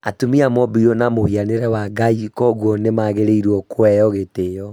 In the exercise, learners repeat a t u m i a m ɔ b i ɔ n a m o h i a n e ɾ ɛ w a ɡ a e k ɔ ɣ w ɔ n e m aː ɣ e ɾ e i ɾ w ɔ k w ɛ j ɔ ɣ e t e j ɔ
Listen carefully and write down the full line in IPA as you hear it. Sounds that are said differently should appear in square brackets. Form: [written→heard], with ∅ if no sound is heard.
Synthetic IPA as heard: a t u m i a m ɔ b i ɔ n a m o h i a n e ɾ ɛ w a ɡ a [e→i] k ɔ ɣ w ɔ n e m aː ɣ e ɾ e i ɾ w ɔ k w ɛ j ɔ ɣ e t e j ɔ